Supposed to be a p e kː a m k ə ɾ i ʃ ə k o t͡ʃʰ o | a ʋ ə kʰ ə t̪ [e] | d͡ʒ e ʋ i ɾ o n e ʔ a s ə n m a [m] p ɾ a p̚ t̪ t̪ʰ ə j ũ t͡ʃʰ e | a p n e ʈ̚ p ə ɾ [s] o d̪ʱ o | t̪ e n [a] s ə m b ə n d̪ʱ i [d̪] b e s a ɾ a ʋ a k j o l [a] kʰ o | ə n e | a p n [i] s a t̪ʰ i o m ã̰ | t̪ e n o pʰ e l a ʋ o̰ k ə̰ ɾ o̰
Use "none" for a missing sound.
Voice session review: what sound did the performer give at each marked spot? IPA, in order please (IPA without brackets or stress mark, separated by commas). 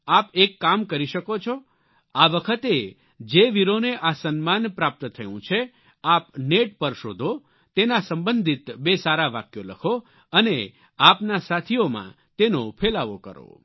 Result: e, n, ʃ, a, t̪, ə, a